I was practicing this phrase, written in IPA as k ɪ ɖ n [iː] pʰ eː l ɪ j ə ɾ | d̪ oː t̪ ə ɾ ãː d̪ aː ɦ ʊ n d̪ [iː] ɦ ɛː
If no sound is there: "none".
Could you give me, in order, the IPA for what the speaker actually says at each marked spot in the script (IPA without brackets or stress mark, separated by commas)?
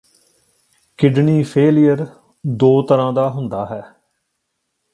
iː, aː